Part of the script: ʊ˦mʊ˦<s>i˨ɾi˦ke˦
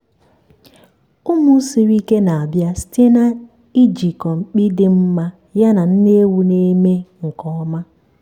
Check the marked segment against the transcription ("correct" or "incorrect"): correct